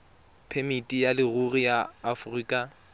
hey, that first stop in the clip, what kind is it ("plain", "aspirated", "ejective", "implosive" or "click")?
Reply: aspirated